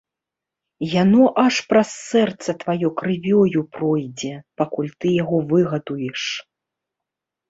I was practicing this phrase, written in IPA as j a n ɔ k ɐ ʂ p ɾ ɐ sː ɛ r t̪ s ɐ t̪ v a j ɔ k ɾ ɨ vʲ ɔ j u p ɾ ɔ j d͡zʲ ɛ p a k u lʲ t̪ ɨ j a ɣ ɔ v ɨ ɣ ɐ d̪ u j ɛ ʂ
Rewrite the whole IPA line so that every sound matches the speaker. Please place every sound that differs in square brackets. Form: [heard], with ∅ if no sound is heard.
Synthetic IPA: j a n ɔ [ʔ] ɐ ʂ p ɾ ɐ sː ɛ r t̪ s ɐ t̪ v a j ɔ k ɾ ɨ vʲ ɔ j u p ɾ ɔ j d͡zʲ ɛ p a k u lʲ t̪ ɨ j a ɣ ɔ v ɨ ɣ ɐ d̪ u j ɛ ʂ

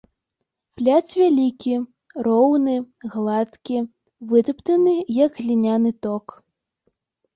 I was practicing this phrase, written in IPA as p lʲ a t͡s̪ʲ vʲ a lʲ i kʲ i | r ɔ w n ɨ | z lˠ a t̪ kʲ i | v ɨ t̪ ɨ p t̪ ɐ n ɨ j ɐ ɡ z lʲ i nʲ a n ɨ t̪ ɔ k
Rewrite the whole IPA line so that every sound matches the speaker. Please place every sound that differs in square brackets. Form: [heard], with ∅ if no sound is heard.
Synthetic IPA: p lʲ a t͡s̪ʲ vʲ a lʲ i kʲ i | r ɔ w n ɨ | [ɣ] lˠ a t̪ kʲ i | v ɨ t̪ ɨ p t̪ ɐ n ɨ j ɐ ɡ [ɣ] lʲ i nʲ a n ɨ t̪ ɔ k

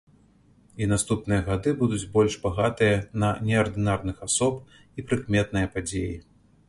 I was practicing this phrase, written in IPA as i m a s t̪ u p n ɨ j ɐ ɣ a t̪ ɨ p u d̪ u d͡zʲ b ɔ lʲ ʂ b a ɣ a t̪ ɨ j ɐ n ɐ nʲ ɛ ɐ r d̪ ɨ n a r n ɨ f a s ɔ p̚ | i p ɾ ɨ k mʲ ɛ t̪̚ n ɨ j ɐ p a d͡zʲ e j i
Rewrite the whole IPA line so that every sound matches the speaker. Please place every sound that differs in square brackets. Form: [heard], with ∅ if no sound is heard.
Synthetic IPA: i [n] a s t̪ u p n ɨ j ɐ ɣ a [d̪] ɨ [b] u d̪ u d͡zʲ b ɔ lʲ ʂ b a ɣ a t̪ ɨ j ɐ n ɐ nʲ ɛ ɐ r d̪ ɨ n a r n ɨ [x] a s ɔ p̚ | i p ɾ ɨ k mʲ ɛ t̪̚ n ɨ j ɐ p a d͡zʲ e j i

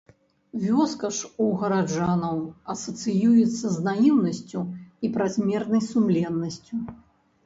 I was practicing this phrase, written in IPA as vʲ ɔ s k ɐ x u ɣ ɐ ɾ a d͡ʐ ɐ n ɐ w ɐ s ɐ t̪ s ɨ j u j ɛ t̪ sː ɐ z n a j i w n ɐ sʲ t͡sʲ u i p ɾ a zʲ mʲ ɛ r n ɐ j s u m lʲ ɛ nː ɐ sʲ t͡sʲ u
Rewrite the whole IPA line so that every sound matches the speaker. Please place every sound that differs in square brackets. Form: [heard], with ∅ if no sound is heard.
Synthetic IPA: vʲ ɔ s k ɐ [ʂ] u ɣ ɐ ɾ a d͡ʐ [a] n ɐ w ɐ s ɐ t̪ s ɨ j u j ɛ t̪ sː ɐ z n a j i w n ɐ sʲ t͡sʲ u i p ɾ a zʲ mʲ ɛ r n ɐ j s u m lʲ ɛ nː ɐ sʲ t͡sʲ u

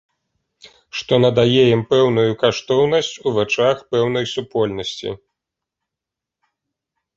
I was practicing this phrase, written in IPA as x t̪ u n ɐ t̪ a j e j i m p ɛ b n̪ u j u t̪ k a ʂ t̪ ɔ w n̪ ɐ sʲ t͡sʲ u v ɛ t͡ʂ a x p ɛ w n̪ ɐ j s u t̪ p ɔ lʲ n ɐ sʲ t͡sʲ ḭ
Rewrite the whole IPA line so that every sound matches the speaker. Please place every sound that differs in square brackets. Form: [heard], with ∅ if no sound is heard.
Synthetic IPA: [ʂ] t̪ [ɔ] n ɐ [d̪] a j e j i m p ɛ [w] n̪ u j u [∅] k a ʂ t̪ ɔ w n̪ ɐ sʲ t͡sʲ u v ɛ t͡ʂ a x p ɛ w n̪ ɐ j s u [∅] p ɔ lʲ n ɐ sʲ t͡sʲ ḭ

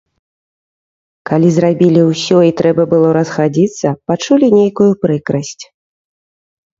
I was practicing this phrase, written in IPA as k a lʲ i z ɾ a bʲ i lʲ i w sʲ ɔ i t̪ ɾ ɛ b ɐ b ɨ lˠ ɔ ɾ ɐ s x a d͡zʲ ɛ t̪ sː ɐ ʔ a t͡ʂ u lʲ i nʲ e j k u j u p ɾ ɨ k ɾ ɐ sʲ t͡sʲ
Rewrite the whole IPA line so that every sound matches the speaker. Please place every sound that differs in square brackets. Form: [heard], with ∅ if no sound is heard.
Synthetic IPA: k a lʲ i z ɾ a bʲ i lʲ i w sʲ ɔ i t̪ ɾ ɛ b ɐ b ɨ lˠ ɔ ɾ ɐ s x a d͡zʲ [i] t̪ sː ɐ [p] a t͡ʂ u lʲ i nʲ e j k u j u p ɾ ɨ k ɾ ɐ sʲ t͡sʲ

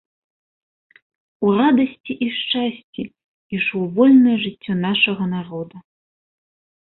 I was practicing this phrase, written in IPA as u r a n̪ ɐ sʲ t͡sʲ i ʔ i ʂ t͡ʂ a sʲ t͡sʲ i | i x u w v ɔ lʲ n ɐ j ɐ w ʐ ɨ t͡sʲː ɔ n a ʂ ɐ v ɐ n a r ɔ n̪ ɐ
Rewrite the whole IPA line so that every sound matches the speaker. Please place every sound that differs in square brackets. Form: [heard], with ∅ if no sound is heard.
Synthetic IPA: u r a [d̪] ɐ sʲ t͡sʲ i ʔ i ʂ t͡ʂ a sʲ t͡sʲ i | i [ʂ] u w v ɔ lʲ n ɐ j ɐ [∅] ʐ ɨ t͡sʲː ɔ n a ʂ ɐ [ɣ] ɐ n a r ɔ [d̪] ɐ

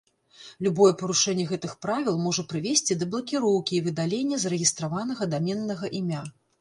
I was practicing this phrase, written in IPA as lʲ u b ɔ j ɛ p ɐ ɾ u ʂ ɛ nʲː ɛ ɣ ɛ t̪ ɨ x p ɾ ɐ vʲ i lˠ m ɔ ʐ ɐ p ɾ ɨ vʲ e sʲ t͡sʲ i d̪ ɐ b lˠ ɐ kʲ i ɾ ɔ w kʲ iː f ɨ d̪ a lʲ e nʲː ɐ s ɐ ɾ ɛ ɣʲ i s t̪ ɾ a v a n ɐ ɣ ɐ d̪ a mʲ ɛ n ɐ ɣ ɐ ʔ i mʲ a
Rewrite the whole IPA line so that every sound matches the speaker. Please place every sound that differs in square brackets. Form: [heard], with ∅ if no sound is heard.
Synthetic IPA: lʲ u b ɔ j ɛ p ɐ ɾ u ʂ ɛ nʲː ɛ ɣ ɛ t̪ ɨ x p ɾ [a] vʲ i lˠ m ɔ ʐ ɐ p ɾ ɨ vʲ e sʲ t͡sʲ i d̪ ɐ b lˠ ɐ kʲ i ɾ ɔ w kʲ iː [v] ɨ d̪ a lʲ e nʲː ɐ [z] ɐ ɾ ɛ ɣʲ i s t̪ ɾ a v a n ɐ ɣ ɐ d̪ a mʲ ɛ [nː] ɐ ɣ ɐ ʔ i mʲ a

